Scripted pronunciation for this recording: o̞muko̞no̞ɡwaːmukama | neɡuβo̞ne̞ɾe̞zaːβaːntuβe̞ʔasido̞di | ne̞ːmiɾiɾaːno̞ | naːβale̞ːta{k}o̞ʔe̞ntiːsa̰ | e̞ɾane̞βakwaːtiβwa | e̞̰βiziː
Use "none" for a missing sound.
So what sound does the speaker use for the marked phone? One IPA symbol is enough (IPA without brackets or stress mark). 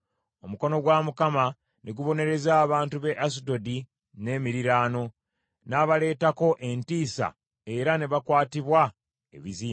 k